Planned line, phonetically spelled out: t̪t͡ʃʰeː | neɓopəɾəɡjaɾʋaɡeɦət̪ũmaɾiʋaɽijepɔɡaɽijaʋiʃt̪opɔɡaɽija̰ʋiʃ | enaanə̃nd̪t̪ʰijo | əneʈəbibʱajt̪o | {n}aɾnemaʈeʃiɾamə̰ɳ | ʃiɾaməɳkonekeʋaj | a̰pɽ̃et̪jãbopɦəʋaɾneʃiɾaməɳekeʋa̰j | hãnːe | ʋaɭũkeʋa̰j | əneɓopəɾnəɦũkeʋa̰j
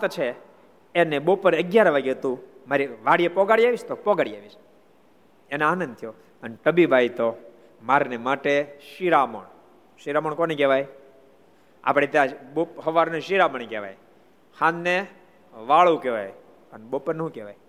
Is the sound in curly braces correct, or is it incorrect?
incorrect